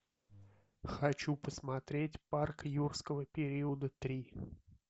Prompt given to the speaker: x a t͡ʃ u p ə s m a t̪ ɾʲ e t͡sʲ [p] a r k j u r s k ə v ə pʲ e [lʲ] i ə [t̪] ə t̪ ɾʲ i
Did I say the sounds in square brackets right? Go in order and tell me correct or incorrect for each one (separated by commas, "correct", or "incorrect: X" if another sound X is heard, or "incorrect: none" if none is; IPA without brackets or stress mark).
correct, incorrect: ɾʲ, incorrect: d̪